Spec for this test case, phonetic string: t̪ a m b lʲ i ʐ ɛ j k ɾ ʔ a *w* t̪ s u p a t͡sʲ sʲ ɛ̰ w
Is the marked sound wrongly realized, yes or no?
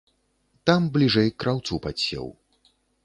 no